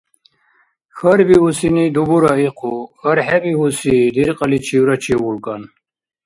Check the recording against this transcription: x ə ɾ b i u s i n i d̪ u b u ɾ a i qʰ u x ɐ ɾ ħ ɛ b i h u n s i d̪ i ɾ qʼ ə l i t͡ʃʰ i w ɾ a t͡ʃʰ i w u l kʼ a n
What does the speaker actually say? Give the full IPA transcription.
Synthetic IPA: x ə ɾ b i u s i n i d̪ u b u ɾ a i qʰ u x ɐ ɾ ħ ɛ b i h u s i d̪ i ɾ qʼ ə l i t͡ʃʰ i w ɾ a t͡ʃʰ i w u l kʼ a n